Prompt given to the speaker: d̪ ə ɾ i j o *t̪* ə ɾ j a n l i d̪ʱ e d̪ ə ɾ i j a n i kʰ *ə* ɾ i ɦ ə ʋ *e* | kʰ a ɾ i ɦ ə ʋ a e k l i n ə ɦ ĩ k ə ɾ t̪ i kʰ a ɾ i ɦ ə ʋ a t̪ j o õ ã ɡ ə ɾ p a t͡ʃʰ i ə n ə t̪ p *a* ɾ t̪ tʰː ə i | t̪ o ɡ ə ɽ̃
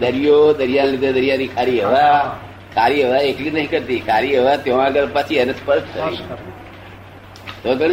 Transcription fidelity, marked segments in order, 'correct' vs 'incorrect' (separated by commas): incorrect, incorrect, incorrect, incorrect